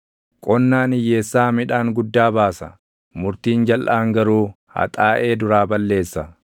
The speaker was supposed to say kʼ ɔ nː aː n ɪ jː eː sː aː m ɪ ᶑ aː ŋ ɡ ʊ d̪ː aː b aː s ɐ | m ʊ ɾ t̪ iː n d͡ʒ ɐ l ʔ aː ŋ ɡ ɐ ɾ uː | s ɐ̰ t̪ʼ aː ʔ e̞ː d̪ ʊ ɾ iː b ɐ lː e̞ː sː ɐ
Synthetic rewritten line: kʼ ɔ nː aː n ɪ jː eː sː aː m ɪ ᶑ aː ŋ ɡ ʊ d̪ː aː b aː s ɐ | m ʊ ɾ t̪ iː n d͡ʒ ɐ l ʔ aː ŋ ɡ ɐ ɾ uː | h ɐ̰ t̪ʼ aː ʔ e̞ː d̪ ʊ ɾ aː b ɐ lː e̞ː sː ɐ

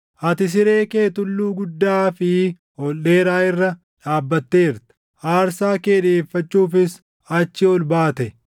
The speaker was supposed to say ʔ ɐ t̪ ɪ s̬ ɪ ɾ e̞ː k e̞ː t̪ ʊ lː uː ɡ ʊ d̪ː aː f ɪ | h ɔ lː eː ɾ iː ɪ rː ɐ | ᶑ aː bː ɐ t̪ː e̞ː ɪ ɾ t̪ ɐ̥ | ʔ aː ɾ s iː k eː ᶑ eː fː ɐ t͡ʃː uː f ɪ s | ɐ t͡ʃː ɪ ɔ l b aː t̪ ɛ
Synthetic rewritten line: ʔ ɐ t̪ ɪ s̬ ɪ ɾ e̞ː k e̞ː t̪ ʊ lː uː ɡ ʊ d̪ː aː f ɪ | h ɔ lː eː ɾ aː ɪ rː ɐ | ᶑ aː bː ɐ t̪ː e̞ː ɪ ɾ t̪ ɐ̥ | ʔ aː ɾ s aː k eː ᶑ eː fː ɐ t͡ʃː uː f ɪ s | ɐ t͡ʃː ɪ ɔ l b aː t̪ ɛ

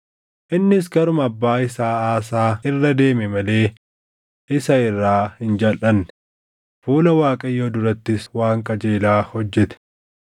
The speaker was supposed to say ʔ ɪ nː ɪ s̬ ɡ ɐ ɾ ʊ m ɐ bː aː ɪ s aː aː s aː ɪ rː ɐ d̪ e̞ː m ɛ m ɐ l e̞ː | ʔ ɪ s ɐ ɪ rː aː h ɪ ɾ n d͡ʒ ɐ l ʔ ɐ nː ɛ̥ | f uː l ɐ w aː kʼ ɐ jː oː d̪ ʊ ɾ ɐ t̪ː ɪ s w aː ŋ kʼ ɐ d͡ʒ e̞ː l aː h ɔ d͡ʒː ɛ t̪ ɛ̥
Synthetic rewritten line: ʔ ɪ nː ɪ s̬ ɡ ɐ ɾ ʊ m ɐ bː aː ɪ s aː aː s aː ɪ rː ɐ d̪ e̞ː m ɛ m ɐ l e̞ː | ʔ ɪ s ɐ ɪ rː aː h ɪ n d͡ʒ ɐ l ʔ ɐ nː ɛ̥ | f uː l ɐ w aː kʼ ɐ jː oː d̪ ʊ ɾ ɐ t̪ː ɪ s w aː ŋ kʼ ɐ d͡ʒ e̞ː l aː h ɔ d͡ʒː ɛ t̪ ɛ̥

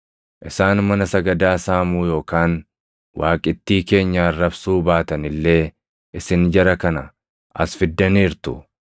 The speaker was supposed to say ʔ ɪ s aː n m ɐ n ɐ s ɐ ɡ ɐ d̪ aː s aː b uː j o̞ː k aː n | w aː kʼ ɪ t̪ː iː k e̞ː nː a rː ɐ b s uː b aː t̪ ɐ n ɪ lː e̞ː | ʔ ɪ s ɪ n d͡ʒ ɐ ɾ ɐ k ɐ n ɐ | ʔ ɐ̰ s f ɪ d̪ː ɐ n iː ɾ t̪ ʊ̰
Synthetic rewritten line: ʔ ɪ s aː n m ɐ n ɐ s ɐ ɡ ɐ d̪ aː s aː m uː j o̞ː k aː n | w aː kʼ ɪ t̪ː iː k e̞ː ɲː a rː ɐ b s uː b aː t̪ ɐ n ɪ lː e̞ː | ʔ ɪ s ɪ n d͡ʒ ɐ ɾ ɐ k ɐ n ɐ | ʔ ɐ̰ s f ɪ d̪ː ɐ n iː ɾ t̪ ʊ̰

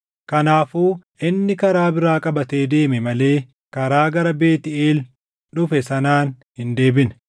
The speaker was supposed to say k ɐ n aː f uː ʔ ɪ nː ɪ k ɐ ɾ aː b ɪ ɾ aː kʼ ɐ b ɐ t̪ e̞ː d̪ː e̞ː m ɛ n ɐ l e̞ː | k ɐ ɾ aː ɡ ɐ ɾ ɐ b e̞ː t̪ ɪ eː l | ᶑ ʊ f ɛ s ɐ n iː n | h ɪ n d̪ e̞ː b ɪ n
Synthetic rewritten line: k ɐ n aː f uː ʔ ɪ nː ɪ k ɐ ɾ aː b ɪ ɾ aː kʼ ɐ b ɐ t̪ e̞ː d̪ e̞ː m ɛ m ɐ l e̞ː | k ɐ ɾ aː ɡ ɐ ɾ ɐ b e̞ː t̪ ɪ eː l | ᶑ ʊ f ɛ s ɐ n aː n | h ɪ n d̪ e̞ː b ɪ n

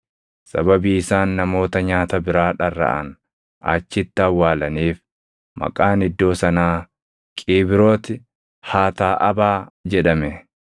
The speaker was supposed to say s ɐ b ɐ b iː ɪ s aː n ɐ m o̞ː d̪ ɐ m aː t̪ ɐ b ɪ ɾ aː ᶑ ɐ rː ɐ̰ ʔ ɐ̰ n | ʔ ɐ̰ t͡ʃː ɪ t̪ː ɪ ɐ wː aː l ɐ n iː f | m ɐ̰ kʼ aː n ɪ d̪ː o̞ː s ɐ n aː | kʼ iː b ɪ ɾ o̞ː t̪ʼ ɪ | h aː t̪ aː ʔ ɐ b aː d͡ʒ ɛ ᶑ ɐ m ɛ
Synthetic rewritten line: s ɐ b ɐ b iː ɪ s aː nː ɐ m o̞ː t̪ ɐ ɲ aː t̪ ɐ b ɪ ɾ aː ᶑ ɐ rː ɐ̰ ʔ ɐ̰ n | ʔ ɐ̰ t͡ʃː ɪ t̪ː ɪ ɐ wː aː l ɐ n iː f | m ɐ̰ kʼ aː n ɪ d̪ː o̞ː s ɐ n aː | kʼ iː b ɪ ɾ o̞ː t̪ ɪ | h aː t̪ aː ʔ ɐ b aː d͡ʒ ɛ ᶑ ɐ m ɛ

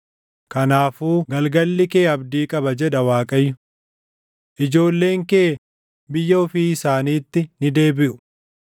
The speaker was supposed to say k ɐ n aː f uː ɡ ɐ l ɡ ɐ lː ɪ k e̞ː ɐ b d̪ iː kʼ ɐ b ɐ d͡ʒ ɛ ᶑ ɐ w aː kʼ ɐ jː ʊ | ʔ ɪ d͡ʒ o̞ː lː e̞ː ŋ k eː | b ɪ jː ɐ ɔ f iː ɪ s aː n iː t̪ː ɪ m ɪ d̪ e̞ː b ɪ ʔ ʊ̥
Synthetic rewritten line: k ɐ n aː f uː ɡ ɐ l ɡ ɐ lː ɪ k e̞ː ɐ b d̪ iː kʼ ɐ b ɐ d͡ʒ ɛ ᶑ ɐ w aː kʼ ɐ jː ʊ | ʔ ɪ d͡ʒ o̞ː lː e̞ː ŋ k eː | b ɪ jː ɐ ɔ f iː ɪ s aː n iː t̪ː ɪ n ɪ d̪ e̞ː b ɪ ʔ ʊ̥

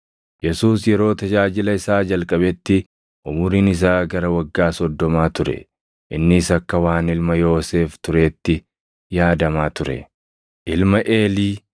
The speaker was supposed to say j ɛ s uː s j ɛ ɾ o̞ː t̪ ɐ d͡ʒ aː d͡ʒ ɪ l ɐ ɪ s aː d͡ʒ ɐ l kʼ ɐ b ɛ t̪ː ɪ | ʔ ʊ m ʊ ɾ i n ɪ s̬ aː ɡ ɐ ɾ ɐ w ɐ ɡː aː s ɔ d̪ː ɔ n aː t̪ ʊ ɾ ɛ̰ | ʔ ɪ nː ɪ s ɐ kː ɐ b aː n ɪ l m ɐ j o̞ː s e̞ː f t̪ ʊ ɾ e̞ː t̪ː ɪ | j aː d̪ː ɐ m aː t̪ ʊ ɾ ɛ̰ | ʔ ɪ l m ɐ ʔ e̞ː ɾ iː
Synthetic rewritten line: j ɛ s uː s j ɛ ɾ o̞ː t̪ ɐ d͡ʒ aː d͡ʒ ɪ l ɐ ɪ s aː d͡ʒ ɐ l kʼ ɐ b ɛ t̪ː ɪ | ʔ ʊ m ʊ ɾ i n ɪ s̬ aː ɡ ɐ ɾ ɐ w ɐ ɡː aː s ɔ d̪ː ɔ m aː t̪ ʊ ɾ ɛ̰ | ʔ ɪ nː ɪ s ɐ kː ɐ w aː n ɪ l m ɐ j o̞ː s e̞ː f t̪ ʊ ɾ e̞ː t̪ː ɪ | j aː d̪ ɐ m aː t̪ ʊ ɾ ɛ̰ | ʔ ɪ l m ɐ ʔ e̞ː l iː

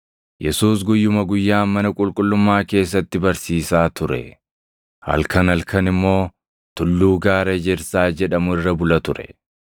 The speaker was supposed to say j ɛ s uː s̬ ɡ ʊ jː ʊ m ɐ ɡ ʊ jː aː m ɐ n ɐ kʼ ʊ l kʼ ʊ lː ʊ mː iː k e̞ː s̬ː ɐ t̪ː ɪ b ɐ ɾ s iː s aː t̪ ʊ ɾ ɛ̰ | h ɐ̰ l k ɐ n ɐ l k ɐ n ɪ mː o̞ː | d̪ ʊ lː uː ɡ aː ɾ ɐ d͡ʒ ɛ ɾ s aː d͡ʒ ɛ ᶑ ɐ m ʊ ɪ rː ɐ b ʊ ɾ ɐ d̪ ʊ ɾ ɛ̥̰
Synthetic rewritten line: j ɛ s uː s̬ ɡ ʊ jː ʊ m ɐ ɡ ʊ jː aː m ɐ n ɐ kʼ ʊ l kʼ ʊ lː ʊ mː aː k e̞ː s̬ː ɐ t̪ː ɪ b ɐ ɾ s iː s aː t̪ ʊ ɾ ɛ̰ | h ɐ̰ l k ɐ n ɐ l k ɐ n ɪ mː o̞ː | t̪ ʊ lː uː ɡ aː ɾ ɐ d͡ʒ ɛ ɾ s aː d͡ʒ ɛ ᶑ ɐ m ʊ ɪ rː ɐ b ʊ l ɐ t̪ ʊ ɾ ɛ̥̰

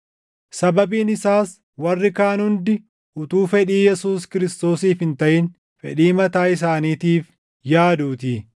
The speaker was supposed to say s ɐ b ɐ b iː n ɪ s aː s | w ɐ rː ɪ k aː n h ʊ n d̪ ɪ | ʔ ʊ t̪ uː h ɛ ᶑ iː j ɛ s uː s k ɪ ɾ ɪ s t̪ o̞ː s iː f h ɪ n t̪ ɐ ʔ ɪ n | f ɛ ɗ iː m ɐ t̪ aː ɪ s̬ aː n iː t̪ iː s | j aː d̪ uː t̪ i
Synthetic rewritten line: s ɐ b ɐ b iː n ɪ s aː s | w ɐ rː ɪ k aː n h ʊ n d̪ ɪ | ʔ ʊ t̪ uː f ɛ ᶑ iː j ɛ s uː s k ɪ ɾ ɪ s t̪ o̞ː s iː f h ɪ n t̪ ɐ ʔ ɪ n | f ɛ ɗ iː m ɐ t̪ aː ɪ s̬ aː n iː t̪ iː f | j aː d̪ uː t̪ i

